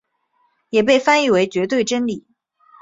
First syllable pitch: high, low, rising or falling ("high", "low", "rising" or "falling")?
low